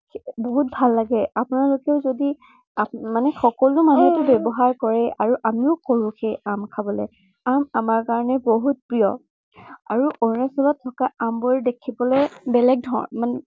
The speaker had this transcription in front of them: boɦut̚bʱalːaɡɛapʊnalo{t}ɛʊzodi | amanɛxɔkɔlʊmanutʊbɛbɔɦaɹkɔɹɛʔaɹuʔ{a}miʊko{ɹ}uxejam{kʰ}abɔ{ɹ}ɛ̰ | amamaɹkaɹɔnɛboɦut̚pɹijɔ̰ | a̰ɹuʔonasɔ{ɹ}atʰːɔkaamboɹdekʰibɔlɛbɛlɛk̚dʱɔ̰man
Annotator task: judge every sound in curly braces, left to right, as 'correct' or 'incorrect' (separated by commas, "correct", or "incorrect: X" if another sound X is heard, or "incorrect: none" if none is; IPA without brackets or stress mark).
incorrect: k, correct, correct, correct, incorrect: l, incorrect: l